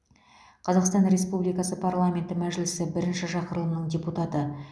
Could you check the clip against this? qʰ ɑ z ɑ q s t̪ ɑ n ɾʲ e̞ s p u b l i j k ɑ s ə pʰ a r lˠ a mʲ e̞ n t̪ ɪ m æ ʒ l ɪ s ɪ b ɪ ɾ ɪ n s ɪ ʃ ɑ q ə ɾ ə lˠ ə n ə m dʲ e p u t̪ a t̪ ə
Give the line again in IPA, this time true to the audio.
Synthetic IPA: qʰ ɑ z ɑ q s t̪ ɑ n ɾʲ e̞ s p u b l i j k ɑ s ə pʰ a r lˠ a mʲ e̞ n t̪ ɪ m æ ʒ l ɪ s ɪ b ɪ ɾ ɪ n ʃ ɪ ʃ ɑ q ə ɾ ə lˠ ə n ə ɴ dʲ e p u t̪ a t̪ ə